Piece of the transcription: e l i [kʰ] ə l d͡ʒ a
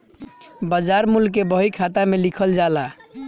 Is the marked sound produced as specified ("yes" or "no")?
yes